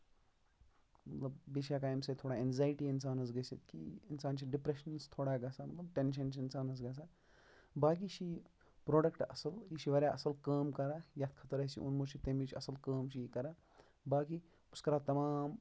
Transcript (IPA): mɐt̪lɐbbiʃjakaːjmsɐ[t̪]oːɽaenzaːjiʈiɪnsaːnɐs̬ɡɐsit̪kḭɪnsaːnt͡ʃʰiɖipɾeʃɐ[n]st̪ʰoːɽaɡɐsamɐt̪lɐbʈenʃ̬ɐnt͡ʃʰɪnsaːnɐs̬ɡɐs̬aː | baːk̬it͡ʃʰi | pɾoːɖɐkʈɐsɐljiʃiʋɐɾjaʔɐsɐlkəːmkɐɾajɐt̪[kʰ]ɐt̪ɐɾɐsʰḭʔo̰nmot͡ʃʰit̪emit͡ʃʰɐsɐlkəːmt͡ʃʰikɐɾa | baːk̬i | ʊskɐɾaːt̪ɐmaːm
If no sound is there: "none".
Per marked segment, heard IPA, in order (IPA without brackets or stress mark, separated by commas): t̪ʰ, n, kʰ